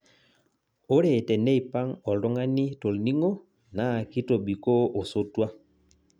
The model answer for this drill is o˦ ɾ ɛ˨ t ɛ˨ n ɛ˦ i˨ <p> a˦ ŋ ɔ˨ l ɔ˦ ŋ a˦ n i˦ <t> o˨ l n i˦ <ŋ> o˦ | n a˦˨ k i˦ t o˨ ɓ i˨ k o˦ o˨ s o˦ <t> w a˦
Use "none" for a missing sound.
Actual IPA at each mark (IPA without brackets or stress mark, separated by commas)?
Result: p, t, ŋ, t